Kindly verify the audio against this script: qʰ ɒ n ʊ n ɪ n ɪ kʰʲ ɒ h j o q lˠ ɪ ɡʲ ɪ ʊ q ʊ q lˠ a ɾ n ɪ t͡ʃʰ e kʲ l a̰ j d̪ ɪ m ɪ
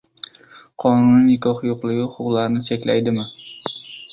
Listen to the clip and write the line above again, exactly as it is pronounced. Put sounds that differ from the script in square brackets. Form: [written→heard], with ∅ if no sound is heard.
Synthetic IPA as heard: qʰ ɒ n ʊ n ɪ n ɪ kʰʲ ɒ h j o q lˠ ɪ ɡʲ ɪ ʊ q ʊ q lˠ a ɾ n ɪ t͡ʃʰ e kʲ l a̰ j d̪ ɪ m ɪ